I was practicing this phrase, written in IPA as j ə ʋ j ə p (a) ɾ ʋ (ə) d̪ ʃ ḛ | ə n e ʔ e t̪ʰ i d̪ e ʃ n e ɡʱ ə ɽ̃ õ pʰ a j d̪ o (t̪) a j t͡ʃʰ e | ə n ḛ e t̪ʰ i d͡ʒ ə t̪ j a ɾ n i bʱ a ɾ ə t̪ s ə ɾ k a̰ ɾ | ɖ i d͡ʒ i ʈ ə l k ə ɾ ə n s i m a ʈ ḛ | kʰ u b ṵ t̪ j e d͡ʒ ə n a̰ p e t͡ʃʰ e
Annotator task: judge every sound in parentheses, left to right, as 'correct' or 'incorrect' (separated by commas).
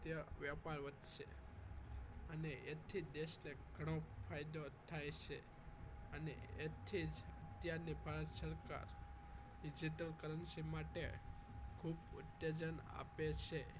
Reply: correct, correct, incorrect